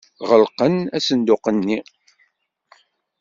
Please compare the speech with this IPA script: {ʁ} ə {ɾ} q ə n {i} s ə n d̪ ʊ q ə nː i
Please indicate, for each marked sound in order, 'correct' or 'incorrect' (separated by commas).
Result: correct, incorrect, incorrect